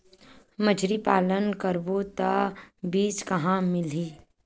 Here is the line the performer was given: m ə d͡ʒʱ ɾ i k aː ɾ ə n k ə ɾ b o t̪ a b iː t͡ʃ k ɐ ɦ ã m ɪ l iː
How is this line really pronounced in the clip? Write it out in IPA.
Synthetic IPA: m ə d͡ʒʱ ɾ i p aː l ə n k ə ɾ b o t̪ a b iː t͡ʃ k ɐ ɦ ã m ɪ l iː